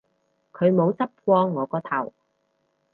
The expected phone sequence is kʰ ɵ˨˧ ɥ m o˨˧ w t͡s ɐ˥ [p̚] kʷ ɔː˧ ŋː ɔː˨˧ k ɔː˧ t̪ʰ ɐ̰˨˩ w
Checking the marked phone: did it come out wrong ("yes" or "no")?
no